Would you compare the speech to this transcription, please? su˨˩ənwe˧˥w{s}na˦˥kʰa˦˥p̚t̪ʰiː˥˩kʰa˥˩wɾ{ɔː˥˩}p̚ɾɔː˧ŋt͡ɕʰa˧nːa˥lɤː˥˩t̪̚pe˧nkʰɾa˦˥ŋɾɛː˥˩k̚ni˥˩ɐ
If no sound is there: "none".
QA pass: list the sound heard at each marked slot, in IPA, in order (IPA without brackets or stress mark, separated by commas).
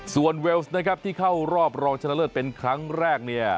s, ɔː˥˩